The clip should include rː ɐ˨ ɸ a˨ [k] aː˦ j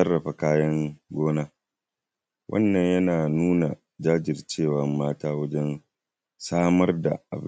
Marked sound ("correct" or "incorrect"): correct